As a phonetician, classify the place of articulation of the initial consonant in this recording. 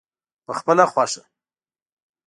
labial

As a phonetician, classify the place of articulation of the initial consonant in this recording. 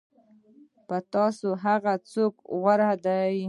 labial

